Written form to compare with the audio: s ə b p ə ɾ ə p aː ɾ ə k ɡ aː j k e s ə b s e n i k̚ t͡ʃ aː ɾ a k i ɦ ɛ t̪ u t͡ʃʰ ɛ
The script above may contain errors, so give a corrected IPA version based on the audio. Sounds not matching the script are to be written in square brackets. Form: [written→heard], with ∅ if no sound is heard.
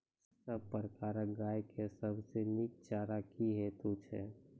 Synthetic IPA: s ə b p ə ɾ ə [p→k] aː ɾ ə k ɡ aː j k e s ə b s e n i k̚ t͡ʃ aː ɾ a k i ɦ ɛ t̪ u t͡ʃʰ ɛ